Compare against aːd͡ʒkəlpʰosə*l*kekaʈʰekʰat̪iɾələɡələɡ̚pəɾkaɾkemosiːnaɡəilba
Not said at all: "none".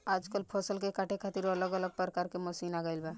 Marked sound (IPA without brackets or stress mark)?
l